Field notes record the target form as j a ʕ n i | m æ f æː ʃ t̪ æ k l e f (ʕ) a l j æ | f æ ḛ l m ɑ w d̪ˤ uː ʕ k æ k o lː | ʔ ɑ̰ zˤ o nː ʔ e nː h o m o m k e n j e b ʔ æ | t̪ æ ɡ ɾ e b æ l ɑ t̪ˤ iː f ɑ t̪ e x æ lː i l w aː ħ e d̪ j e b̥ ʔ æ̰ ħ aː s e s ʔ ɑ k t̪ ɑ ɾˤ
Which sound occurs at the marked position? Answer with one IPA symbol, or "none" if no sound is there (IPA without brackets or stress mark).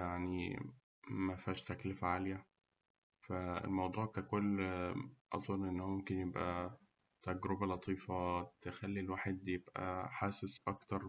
ʕ